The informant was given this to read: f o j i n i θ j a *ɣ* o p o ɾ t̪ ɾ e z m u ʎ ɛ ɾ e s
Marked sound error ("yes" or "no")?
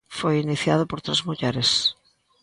yes